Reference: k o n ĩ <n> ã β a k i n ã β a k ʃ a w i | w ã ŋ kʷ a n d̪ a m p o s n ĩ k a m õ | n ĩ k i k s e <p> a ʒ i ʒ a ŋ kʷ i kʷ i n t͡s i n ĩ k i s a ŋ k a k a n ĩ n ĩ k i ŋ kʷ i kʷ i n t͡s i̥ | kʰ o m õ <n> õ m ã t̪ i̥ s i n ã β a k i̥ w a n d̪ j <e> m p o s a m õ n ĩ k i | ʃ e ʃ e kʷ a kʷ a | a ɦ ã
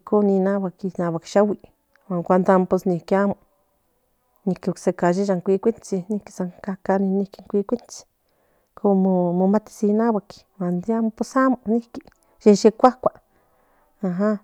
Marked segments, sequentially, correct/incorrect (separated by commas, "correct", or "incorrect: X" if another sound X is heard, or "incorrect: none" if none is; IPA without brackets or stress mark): correct, incorrect: k, incorrect: m, incorrect: a